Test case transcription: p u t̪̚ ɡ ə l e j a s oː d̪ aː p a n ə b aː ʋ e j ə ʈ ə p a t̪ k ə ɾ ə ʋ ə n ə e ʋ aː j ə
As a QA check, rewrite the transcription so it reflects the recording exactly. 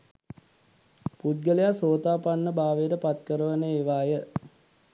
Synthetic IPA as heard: p u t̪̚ ɡ ə l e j a s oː t̪ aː p a nː ə b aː ʋ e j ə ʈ ə p a t̪ k ə ɾ ə ʋ ə n ə e ʋ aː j ə